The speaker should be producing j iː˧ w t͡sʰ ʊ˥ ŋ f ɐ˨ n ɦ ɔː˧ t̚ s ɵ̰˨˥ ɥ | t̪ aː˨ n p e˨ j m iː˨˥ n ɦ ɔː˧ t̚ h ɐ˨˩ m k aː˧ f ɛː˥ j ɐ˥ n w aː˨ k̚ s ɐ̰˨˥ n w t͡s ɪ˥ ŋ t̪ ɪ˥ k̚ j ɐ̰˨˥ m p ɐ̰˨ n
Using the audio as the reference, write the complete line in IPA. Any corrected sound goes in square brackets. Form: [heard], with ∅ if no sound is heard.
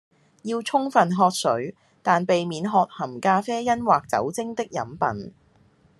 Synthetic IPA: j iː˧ w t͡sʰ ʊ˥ ŋ f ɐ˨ n ɦ ɔː˧ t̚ s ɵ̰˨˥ ɥ | t̪ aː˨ n p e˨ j m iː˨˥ n ɦ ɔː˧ t̚ h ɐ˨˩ m k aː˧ f ɛː˥ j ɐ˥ n w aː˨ k̚ [t͡s] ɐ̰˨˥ [∅] w t͡s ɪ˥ ŋ t̪ ɪ˥ k̚ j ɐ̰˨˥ m p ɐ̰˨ n